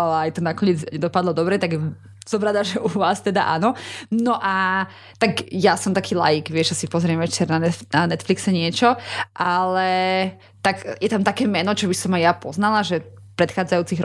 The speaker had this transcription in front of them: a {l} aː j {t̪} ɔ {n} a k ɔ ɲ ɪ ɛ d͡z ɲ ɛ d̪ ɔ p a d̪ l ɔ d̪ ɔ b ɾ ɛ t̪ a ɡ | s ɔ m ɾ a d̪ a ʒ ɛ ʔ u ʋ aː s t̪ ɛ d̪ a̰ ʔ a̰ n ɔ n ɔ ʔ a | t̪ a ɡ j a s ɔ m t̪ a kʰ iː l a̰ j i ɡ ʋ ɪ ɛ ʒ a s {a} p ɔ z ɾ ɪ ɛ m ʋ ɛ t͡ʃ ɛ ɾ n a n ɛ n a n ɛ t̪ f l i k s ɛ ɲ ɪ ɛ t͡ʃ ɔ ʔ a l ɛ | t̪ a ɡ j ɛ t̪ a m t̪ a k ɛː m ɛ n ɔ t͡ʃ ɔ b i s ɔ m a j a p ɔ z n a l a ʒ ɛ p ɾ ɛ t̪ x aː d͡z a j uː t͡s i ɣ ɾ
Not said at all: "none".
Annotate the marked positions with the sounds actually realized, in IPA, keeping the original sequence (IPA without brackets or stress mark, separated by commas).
l, t̪, n, i